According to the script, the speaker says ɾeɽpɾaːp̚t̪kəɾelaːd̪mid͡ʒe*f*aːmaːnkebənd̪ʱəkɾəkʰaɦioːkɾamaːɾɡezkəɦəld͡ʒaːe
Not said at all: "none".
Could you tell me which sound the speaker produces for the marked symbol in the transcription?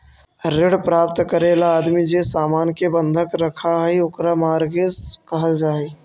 s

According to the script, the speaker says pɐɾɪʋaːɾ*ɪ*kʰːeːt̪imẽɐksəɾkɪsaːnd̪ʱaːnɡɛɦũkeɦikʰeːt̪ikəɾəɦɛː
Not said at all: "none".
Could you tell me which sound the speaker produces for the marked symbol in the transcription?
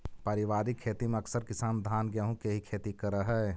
i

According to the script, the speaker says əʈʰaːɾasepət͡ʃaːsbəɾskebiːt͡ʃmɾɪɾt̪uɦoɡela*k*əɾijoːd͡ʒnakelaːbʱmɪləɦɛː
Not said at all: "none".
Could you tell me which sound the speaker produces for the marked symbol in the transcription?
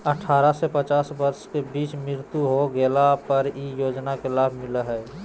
p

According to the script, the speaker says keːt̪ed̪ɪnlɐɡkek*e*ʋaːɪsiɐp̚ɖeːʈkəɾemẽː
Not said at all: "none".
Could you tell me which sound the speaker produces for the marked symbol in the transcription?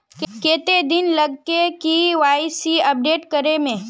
i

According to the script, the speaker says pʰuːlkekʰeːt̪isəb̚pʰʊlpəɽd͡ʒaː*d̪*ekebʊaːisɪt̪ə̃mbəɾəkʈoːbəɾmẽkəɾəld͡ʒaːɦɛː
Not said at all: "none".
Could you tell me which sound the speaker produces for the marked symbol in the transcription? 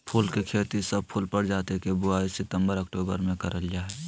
t̪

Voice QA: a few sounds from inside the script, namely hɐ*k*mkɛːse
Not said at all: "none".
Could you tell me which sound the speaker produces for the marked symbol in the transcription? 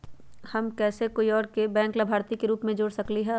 none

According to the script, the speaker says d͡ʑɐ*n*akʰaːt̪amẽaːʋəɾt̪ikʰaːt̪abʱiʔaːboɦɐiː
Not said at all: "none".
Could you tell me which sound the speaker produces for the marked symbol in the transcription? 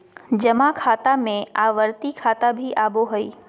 m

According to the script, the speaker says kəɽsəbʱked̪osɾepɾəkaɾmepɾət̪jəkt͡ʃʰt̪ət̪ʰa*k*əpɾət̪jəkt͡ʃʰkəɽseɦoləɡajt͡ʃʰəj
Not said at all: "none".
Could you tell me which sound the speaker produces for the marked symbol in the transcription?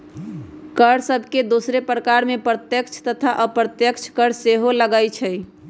ʔ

